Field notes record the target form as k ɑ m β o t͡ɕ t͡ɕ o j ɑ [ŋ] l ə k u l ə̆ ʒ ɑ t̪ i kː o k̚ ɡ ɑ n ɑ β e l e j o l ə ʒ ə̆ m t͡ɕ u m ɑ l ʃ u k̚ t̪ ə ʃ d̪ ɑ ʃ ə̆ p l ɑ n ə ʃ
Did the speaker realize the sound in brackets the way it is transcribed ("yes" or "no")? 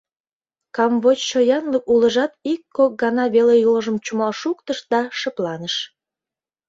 no